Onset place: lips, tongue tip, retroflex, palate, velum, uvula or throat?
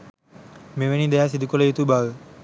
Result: lips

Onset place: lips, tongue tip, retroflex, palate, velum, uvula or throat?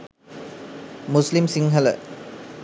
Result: lips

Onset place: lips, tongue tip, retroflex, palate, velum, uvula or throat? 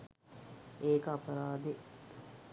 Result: velum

